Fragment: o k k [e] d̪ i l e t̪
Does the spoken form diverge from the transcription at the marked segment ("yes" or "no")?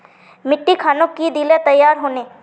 yes